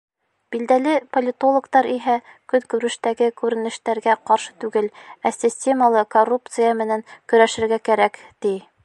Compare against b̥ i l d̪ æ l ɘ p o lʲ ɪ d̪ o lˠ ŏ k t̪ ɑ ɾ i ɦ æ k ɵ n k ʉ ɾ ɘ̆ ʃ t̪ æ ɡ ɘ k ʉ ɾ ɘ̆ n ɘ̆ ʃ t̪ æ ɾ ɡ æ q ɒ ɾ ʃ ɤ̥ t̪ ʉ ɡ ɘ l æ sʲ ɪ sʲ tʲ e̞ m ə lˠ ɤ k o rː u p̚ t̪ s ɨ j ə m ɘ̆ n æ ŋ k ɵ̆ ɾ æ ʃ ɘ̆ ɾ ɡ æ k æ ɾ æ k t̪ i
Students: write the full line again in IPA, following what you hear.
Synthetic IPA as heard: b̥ i l d̪ æ l ɘ p o lʲ ɪ t̪ o lˠ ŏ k t̪ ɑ ɾ i ɦ æ k ɵ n k ʉ ɾ ɘ̆ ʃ t̪ æ ɡ ɘ k ʉ ɾ ɘ̆ n ɘ̆ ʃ t̪ æ ɾ ɡ æ q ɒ ɾ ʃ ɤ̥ t̪ ʉ ɡ ɘ l æ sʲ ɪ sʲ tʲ e̞ m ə lˠ ɤ k o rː u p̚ t̪ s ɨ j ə m ɘ̆ n æ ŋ k ɵ̆ ɾ æ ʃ ɘ̆ ɾ ɡ æ k æ ɾ æ k t̪ i